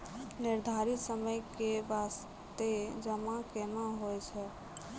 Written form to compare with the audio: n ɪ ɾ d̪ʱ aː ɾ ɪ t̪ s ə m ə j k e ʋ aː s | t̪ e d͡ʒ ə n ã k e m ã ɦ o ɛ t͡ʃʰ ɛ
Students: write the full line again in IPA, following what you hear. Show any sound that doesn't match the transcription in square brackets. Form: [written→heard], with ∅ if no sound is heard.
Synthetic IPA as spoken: n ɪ ɾ d̪ʱ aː ɾ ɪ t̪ s ə m ə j k e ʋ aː s | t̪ e d͡ʒ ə [n→m] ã k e m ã ɦ o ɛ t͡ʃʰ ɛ